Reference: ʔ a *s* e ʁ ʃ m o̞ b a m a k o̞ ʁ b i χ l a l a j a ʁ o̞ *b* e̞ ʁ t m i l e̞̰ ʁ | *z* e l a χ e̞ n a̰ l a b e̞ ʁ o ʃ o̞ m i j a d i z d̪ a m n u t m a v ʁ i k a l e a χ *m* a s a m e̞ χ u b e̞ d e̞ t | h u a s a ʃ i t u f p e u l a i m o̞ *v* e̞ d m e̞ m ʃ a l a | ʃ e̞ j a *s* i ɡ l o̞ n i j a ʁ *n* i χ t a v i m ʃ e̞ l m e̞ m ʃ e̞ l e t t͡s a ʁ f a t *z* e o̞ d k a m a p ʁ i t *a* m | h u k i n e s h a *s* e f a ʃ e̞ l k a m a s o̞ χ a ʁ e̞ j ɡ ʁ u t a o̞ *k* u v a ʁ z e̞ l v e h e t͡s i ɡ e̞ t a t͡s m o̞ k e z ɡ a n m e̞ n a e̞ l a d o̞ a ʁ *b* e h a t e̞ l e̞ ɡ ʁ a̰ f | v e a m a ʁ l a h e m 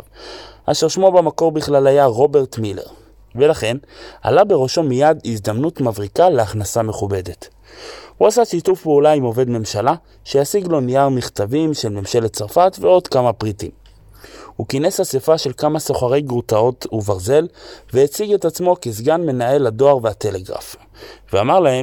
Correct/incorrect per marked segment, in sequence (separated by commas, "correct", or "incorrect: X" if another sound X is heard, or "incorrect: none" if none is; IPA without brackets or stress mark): incorrect: ʃ, correct, incorrect: v, incorrect: n, correct, correct, incorrect: m, incorrect: v, incorrect: i, correct, incorrect: t, incorrect: v